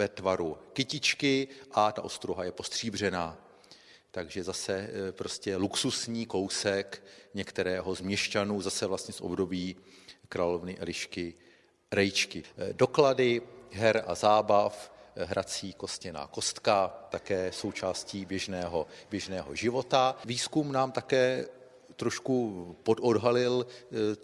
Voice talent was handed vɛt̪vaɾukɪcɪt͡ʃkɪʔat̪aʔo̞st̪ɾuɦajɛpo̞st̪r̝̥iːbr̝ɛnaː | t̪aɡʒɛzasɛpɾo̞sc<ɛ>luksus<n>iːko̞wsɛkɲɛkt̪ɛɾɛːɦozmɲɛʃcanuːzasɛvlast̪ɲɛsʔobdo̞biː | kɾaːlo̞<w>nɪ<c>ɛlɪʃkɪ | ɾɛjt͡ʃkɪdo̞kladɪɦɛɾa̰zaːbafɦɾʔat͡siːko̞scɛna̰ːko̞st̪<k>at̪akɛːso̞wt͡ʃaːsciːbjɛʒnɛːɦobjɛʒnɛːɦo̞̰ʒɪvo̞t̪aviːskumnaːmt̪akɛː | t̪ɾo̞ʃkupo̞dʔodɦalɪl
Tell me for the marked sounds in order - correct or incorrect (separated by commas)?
correct, incorrect, incorrect, incorrect, correct